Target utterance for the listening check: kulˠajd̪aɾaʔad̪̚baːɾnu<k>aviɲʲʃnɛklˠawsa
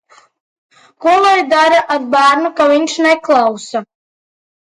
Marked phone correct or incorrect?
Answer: correct